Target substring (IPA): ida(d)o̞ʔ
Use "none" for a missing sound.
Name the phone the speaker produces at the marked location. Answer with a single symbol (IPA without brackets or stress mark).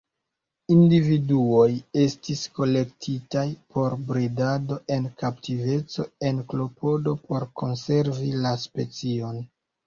d